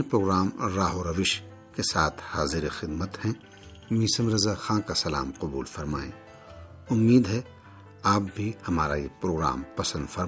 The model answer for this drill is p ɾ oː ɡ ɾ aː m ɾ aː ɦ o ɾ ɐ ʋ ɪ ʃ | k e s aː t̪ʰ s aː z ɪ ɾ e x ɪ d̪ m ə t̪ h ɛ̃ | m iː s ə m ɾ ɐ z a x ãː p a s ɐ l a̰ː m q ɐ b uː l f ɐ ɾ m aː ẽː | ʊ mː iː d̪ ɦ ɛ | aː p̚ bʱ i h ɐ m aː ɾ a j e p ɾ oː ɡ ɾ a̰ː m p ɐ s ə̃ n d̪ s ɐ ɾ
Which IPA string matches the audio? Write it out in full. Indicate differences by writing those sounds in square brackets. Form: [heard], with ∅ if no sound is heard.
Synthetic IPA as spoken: p ɾ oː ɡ ɾ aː m ɾ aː ɦ o ɾ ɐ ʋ ɪ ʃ | k e s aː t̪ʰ [h] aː z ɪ ɾ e x ɪ d̪ m ə t̪ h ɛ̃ | m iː s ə m ɾ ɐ z a x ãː [k] a s ɐ l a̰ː m q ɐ b uː l f ɐ ɾ m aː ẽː | ʊ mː iː d̪ ɦ ɛ | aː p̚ bʱ i h ɐ m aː ɾ a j e p ɾ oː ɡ ɾ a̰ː m p ɐ s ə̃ n d̪ [f] ɐ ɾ